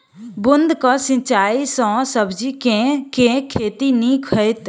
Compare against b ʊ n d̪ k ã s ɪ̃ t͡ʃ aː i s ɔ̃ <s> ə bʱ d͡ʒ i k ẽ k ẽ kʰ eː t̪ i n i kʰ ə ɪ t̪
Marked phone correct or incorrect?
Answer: correct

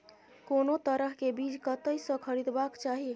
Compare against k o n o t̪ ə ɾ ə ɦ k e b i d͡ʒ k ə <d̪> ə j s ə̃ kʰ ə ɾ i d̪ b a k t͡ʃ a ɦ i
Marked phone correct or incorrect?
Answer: incorrect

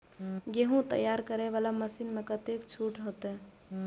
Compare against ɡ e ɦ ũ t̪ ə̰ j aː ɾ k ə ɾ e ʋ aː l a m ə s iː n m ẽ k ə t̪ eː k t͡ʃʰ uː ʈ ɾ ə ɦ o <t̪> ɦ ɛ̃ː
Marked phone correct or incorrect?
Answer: correct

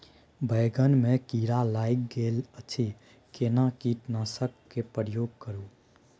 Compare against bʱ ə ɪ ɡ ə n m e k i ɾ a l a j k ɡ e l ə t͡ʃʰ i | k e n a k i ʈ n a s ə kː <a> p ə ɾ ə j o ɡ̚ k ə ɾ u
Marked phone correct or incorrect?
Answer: incorrect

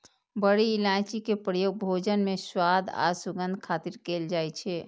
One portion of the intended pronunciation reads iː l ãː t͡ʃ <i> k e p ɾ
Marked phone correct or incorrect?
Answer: correct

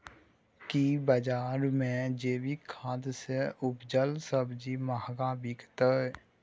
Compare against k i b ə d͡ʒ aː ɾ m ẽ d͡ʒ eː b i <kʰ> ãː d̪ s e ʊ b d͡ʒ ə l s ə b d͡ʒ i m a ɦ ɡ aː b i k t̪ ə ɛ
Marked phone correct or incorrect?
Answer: correct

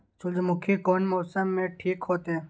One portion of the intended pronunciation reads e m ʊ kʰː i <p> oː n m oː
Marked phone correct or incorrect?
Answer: incorrect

